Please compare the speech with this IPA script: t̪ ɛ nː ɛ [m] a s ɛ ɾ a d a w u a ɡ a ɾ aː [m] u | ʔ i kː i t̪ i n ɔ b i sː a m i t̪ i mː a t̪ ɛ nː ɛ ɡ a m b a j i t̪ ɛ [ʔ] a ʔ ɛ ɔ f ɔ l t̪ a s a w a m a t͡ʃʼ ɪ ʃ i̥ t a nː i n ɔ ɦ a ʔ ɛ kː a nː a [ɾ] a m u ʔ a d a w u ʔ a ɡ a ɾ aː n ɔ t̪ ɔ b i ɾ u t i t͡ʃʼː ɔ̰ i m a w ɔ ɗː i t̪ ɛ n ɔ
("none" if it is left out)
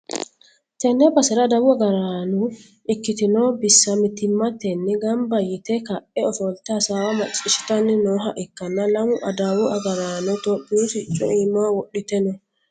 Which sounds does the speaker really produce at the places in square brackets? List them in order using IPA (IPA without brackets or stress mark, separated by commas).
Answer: b, n, k, l